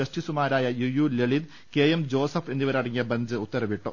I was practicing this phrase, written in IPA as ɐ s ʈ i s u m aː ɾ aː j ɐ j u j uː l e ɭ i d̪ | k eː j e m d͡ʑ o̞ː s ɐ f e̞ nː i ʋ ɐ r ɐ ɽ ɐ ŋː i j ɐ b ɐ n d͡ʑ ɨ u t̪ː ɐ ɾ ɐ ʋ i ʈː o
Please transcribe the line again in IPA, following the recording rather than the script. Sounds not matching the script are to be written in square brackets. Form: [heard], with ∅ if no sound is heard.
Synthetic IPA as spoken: ɐ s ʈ i s u m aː ɾ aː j ɐ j u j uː l e ɭ i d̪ | k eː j e m d͡ʑ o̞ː s ɐ f e̞ nː i ʋ ɐ [ɾ] ɐ ɽ ɐ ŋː i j ɐ b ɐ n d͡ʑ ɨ u t̪ː ɐ ɾ ɐ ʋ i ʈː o